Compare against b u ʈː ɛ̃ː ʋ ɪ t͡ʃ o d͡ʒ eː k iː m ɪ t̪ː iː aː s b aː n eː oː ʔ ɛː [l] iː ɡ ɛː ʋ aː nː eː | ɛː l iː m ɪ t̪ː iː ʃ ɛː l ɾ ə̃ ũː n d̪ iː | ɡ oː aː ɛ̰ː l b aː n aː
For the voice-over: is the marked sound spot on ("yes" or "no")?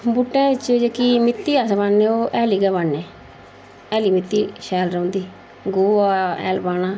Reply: yes